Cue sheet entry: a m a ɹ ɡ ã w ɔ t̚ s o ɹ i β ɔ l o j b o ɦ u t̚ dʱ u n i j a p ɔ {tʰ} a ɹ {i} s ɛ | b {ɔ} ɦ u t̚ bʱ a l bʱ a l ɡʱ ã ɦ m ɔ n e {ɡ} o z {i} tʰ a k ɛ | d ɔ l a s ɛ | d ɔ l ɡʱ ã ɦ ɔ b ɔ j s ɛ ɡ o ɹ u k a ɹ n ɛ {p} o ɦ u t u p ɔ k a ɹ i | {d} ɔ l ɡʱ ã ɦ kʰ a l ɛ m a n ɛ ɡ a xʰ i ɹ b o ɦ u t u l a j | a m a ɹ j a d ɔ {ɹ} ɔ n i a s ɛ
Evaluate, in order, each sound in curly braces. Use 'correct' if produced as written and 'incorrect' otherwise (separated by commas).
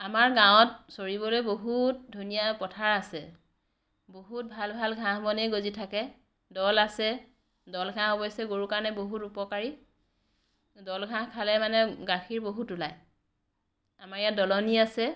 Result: correct, incorrect, incorrect, correct, correct, incorrect, correct, incorrect